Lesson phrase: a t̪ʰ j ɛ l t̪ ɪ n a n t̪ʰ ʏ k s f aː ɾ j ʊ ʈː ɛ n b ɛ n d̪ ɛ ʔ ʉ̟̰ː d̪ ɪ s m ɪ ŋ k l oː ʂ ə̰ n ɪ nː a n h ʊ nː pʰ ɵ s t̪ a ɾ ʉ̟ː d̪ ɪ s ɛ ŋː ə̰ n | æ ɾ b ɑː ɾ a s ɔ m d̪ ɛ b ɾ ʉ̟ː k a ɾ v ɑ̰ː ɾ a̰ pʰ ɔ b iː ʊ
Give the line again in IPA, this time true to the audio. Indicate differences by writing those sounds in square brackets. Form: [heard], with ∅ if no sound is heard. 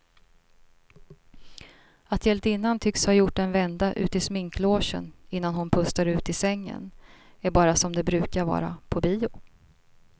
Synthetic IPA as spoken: a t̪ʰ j ɛ l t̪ ɪ [nː] a n t̪ʰ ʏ k s [h] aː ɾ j ʊ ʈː ɛ n [v] ɛ n d̪ [a] ʔ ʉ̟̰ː [t̪] ɪ s m ɪ ŋ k l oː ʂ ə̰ n ɪ nː a n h ʊ [n] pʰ ɵ s t̪ a ɾ ʉ̟ː [t̪] ɪ s ɛ ŋː ə̰ n | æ ɾ b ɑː ɾ a s ɔ m d̪ ɛ b ɾ ʉ̟ː k a ɾ v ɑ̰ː ɾ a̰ pʰ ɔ b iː ʊ

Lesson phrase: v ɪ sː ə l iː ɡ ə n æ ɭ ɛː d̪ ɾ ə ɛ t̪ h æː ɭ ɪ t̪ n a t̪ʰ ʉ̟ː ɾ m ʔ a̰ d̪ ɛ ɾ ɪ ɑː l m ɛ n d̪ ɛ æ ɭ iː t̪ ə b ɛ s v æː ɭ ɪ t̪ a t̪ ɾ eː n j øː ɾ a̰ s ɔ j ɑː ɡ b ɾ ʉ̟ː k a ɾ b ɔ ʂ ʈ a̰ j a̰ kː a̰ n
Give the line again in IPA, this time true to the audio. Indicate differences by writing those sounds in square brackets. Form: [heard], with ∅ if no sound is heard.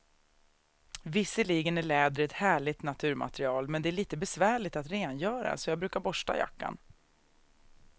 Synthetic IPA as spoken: v ɪ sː ə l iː ɡ ə n æ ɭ ɛː d̪ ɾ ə ɛ t̪ h æː ɭ ɪ t̪ n a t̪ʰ ʉ̟ː ɾ m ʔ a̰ [t̪] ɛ ɾ ɪ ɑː l m ɛ n d̪ ɛ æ ɭ iː t̪ ə b ɛ s v æː ɭ ɪ t̪ a t̪ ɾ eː n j [œː] ɾ a̰ s ɔ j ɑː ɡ b ɾ ʉ̟ː k a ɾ b ɔ ʂ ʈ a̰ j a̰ kː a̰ n

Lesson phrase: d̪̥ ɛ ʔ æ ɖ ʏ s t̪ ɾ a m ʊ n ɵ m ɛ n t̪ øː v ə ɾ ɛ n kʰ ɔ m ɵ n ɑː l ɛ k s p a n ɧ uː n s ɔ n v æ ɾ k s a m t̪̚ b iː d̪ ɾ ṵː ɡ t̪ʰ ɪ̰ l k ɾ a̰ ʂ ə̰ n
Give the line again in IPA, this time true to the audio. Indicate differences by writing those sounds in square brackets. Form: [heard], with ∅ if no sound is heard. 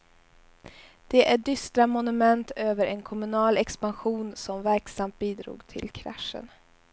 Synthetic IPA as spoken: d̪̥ ɛ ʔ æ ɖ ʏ s t̪ ɾ a m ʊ n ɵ m ɛ n t̪ øː v ə ɾ ɛ n kʰ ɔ m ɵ n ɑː l ɛ k s p a n ɧ uː n s ɔ [m] v æ ɾ k s a m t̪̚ b iː d̪ ɾ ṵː ɡ t̪ʰ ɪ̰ l [kʰ] ɾ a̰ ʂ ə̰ n

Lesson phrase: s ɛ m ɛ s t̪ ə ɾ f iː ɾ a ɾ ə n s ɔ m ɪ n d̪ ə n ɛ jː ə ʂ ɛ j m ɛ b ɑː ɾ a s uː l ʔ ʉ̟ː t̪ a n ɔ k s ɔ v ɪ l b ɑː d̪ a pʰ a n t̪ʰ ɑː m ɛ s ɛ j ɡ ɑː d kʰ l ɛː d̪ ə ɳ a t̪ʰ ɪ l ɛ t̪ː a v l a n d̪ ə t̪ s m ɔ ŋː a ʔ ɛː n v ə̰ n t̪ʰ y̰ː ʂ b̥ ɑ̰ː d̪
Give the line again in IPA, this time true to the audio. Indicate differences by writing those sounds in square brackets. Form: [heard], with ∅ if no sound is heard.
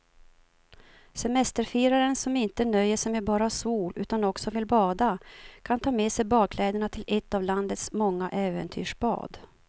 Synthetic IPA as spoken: s ɛ m ɛ s t̪ ə ɾ f iː ɾ a ɾ ə n s ɔ m ɪ n [t̪] ə n [œ] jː ə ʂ ɛ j m ɛ b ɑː ɾ a s uː l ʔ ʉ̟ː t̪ a n ɔ k s ɔ v ɪ l b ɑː d̪ a [kʰ] a n t̪ʰ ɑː m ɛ s ɛ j [b] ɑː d kʰ l ɛː d̪ ə ɳ a t̪ʰ ɪ l ɛ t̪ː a v l a n d̪ ə t̪ s m ɔ ŋː a ʔ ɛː [∅] v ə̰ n t̪ʰ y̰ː ʂ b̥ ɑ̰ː d̪

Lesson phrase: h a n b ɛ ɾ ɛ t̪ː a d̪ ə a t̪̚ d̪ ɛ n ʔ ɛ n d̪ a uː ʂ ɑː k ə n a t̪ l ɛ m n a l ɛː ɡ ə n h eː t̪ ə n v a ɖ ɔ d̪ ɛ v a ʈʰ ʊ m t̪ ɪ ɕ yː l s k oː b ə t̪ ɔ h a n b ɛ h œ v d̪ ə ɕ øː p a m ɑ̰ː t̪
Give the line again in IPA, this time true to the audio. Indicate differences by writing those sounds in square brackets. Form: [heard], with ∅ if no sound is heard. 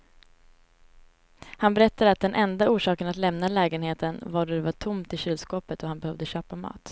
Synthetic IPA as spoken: h a n b ɛ ɾ ɛ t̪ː a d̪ ə a t̪̚ d̪ ɛ n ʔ ɛ n d̪ a uː ʂ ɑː k ə n a t̪ l ɛ m n a l ɛː ɡ ə n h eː t̪ ə n v a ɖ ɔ d̪ ɛ v a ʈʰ ʊ m t̪ ɪ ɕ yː l s k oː [p] ə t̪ ɔ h a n b ɛ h œ v d̪ ə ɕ øː p a m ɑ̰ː t̪

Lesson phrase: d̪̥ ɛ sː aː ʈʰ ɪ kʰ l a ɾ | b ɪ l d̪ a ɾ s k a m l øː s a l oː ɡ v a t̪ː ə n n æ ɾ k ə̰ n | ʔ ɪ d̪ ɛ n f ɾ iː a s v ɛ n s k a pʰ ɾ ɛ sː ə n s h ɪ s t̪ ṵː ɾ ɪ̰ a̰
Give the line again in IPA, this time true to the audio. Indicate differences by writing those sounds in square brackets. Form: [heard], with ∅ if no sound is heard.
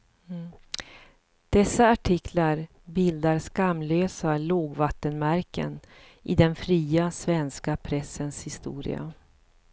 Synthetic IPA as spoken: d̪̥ ɛ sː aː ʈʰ ɪ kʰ l a ɾ | b ɪ l d̪ a ɾ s k a m l øː s a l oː ɡ v a t̪ː ə n [m] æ ɾ k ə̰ n | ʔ ɪ d̪ ɛ n f ɾ iː a s v ɛ n s k a pʰ ɾ ɛ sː ə n s h ɪ s t̪ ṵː ɾ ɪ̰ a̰

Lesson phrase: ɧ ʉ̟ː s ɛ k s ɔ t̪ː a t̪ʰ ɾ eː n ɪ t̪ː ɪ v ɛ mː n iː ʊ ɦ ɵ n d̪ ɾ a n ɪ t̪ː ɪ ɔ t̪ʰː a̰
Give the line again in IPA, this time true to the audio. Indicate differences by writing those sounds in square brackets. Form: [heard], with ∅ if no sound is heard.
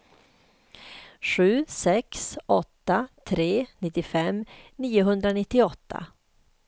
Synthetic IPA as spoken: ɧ ʉ̟ː s ɛ k s ɔ t̪ː a t̪ʰ ɾ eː n ɪ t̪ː ɪ [f] ɛ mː n iː ʊ ɦ ɵ n d̪ ɾ a n ɪ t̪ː ɪ ɔ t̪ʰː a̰

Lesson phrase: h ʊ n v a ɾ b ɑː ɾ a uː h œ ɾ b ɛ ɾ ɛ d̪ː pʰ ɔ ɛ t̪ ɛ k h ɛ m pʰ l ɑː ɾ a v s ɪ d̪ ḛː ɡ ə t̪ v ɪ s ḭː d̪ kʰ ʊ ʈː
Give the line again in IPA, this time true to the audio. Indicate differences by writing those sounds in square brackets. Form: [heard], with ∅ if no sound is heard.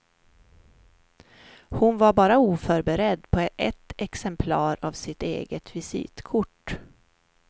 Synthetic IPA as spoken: h ʊ n v a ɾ b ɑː ɾ a uː [f] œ ɾ b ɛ ɾ ɛ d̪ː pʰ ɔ ɛ t̪ ɛ k [s] ɛ m pʰ l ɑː ɾ a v s ɪ [t̪] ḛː ɡ ə t̪ v ɪ s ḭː [t̪] kʰ ʊ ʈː

